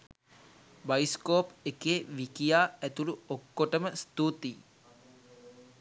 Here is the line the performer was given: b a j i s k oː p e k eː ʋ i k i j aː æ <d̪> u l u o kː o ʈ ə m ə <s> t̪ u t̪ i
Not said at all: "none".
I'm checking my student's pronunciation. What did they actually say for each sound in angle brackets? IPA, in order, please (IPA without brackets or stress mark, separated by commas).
t̪, s